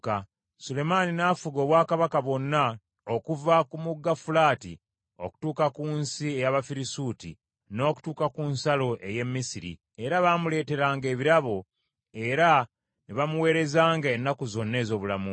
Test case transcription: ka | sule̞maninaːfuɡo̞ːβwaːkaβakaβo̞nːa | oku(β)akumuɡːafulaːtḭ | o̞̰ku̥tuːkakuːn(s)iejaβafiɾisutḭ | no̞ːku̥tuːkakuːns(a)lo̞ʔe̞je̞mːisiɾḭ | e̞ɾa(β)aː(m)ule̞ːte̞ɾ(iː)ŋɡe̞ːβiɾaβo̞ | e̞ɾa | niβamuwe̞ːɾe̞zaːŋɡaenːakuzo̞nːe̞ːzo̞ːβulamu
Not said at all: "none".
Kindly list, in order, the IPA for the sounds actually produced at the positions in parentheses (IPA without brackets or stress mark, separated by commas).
v, s, a, β, m, aː